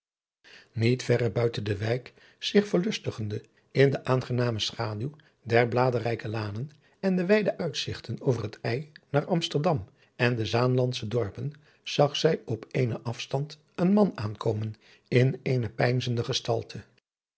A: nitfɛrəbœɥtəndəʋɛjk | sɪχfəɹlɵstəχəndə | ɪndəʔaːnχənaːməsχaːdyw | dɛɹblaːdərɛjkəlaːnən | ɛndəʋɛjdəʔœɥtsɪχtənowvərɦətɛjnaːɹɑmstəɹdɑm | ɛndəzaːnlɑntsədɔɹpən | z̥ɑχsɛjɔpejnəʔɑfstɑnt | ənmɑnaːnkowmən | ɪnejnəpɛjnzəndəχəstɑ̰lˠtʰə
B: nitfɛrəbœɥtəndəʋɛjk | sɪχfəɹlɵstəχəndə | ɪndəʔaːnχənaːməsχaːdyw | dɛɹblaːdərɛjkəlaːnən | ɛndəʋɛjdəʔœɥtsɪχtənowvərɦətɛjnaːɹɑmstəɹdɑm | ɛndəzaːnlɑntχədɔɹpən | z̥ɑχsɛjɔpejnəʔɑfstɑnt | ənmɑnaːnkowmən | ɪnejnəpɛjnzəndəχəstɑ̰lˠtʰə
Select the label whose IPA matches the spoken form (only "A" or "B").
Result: A